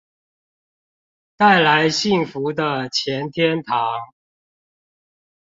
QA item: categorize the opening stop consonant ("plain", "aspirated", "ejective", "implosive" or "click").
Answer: plain